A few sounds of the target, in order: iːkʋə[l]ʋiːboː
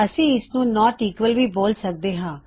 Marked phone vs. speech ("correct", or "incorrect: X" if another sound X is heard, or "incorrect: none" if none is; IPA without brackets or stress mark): correct